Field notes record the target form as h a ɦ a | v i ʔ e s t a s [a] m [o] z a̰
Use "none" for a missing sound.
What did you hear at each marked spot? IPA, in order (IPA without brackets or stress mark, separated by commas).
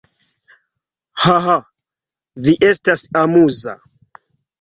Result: a, u